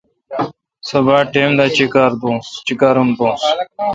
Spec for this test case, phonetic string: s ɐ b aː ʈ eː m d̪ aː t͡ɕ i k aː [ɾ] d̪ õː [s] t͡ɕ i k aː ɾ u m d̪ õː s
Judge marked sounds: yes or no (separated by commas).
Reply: yes, yes